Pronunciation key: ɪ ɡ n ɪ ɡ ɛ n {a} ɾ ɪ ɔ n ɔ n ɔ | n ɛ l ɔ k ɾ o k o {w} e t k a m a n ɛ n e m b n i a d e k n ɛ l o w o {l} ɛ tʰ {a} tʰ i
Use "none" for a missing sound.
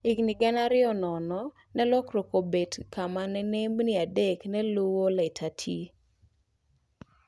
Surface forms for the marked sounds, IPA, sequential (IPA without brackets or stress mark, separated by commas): a, b, l, a